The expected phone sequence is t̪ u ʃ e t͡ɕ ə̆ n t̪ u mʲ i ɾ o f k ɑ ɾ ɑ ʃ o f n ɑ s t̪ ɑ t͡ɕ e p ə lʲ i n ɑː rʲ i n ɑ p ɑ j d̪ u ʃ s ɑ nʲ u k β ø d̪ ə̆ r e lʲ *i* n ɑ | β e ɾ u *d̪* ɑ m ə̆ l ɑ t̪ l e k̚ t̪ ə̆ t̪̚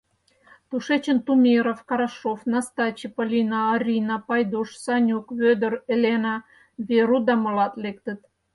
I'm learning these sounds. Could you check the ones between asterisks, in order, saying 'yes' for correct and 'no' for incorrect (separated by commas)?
no, yes